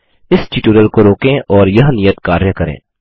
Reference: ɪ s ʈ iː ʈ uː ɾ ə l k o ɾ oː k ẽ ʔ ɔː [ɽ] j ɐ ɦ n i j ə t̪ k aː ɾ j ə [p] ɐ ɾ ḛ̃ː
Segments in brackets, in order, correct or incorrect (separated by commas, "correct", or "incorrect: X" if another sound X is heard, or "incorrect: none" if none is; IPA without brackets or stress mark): incorrect: ɾ, incorrect: k